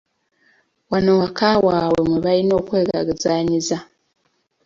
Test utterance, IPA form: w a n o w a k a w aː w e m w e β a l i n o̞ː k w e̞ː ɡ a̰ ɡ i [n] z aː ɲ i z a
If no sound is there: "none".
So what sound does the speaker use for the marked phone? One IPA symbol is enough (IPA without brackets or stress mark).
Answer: none